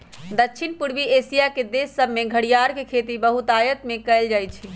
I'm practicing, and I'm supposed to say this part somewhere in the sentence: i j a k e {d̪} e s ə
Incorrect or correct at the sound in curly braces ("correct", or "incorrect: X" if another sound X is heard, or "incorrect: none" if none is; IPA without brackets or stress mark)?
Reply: correct